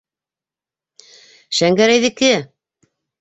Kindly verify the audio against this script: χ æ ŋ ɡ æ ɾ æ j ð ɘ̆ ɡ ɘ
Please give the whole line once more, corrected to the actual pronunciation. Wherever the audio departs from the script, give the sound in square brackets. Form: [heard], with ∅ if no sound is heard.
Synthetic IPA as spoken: [ʃ] æ ŋ ɡ æ ɾ æ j ð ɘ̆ [k] ɘ